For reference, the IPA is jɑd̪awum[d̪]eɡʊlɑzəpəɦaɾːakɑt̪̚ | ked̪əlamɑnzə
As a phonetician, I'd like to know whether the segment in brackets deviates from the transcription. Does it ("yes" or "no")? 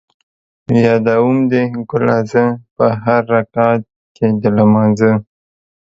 no